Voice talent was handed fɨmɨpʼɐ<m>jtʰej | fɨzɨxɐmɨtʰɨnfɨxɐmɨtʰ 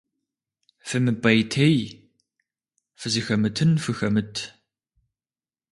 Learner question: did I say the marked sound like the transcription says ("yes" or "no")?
no